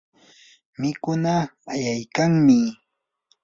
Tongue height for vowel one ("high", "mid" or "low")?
high